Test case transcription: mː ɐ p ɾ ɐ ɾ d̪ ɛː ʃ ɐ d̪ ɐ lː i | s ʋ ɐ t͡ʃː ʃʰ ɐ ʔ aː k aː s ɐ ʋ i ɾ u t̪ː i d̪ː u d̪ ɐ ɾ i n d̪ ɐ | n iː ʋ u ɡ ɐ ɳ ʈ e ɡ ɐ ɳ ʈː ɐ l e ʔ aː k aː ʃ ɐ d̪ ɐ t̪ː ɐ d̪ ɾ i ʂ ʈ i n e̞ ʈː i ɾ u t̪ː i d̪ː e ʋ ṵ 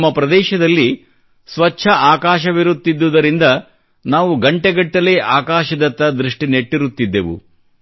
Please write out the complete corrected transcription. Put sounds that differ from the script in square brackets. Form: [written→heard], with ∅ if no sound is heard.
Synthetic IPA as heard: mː ɐ p ɾ ɐ [ɾ→∅] d̪ ɛː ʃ ɐ d̪ ɐ lː i | s ʋ ɐ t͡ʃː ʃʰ ɐ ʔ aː k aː [s→ʃ] ɐ ʋ i ɾ u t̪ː i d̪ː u d̪ ɐ ɾ i n d̪ ɐ | n [iː→aː] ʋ u ɡ ɐ ɳ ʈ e ɡ ɐ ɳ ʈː ɐ l e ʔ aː k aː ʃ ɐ d̪ ɐ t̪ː ɐ d̪ ɾ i ʂ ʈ i n e̞ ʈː i ɾ u t̪ː i d̪ː e ʋ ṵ